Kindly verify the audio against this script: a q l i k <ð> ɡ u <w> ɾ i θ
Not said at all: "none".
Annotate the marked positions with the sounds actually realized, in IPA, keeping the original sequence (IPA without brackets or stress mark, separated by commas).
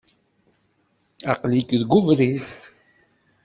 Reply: ð, v